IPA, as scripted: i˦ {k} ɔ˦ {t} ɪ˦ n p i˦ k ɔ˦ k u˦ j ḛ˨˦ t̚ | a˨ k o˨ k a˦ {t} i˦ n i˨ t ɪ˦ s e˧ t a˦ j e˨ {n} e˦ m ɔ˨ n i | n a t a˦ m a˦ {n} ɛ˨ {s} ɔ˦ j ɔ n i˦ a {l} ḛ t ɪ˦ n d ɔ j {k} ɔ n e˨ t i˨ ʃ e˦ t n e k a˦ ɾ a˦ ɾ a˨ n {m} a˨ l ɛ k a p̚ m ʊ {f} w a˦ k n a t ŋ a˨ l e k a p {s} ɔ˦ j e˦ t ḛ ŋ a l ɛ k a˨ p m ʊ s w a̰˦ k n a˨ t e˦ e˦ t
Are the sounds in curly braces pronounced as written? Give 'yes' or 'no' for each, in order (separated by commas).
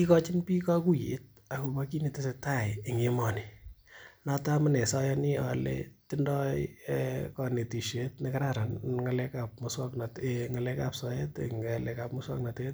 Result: yes, no, no, no, yes, yes, yes, yes, no, no, yes